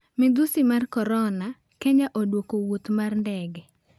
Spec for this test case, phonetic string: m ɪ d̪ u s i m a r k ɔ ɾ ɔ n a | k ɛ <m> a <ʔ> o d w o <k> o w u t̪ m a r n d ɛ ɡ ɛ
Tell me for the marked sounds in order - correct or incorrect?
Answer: incorrect, correct, correct

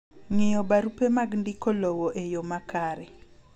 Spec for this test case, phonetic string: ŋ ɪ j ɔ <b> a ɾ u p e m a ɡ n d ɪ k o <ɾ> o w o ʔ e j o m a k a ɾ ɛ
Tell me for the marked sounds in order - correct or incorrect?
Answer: correct, incorrect

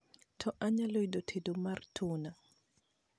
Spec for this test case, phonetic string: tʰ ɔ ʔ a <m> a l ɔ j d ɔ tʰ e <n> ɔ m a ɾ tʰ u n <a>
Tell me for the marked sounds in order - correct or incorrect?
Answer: incorrect, incorrect, correct

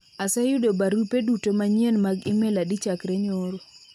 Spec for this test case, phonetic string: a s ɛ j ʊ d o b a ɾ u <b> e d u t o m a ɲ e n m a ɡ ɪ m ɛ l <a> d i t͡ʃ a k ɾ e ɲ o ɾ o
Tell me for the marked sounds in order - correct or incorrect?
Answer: incorrect, correct

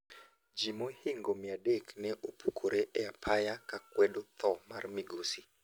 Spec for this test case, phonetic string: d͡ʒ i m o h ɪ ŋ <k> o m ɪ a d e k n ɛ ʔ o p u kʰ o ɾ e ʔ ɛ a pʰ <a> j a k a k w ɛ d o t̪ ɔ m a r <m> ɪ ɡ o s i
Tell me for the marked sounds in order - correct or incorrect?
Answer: incorrect, correct, correct

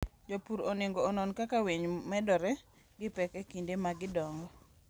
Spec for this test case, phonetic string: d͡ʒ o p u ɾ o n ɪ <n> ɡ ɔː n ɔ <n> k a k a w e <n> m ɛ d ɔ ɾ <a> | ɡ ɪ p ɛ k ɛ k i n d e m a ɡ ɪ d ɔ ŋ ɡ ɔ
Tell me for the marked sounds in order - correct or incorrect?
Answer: incorrect, correct, incorrect, incorrect

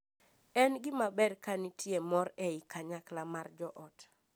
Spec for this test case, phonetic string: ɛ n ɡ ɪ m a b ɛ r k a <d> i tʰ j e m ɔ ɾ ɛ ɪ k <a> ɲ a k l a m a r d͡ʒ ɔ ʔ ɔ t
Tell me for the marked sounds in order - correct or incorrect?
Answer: incorrect, correct

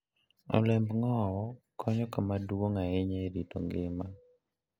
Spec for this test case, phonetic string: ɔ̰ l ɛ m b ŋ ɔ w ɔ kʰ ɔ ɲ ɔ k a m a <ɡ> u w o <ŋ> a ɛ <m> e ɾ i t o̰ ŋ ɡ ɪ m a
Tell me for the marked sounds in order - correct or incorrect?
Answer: incorrect, correct, incorrect

